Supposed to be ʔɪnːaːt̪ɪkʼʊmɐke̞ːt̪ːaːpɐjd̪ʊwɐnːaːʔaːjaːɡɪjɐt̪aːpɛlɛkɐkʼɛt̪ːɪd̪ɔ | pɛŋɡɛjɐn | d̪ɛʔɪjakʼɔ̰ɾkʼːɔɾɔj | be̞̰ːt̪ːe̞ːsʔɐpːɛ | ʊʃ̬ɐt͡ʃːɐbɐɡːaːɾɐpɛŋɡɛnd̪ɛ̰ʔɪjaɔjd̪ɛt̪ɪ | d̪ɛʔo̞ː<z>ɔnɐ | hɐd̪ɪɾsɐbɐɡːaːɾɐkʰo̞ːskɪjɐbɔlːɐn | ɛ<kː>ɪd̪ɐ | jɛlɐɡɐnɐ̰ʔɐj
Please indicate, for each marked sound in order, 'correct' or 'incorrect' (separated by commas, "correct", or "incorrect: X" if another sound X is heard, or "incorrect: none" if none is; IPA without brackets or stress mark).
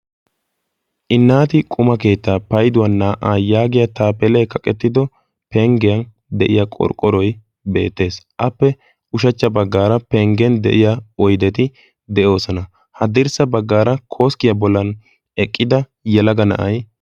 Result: incorrect: s, incorrect: kʼː